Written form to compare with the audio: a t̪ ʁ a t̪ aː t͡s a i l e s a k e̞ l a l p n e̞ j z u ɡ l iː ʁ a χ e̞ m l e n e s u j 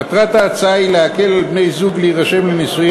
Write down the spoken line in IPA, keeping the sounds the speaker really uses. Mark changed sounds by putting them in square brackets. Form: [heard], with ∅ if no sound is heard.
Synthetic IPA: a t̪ ʁ a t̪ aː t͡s a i l e [∅] a k e̞ l a l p n e̞ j z u ɡ l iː ʁ a [ʃ] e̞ m l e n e s u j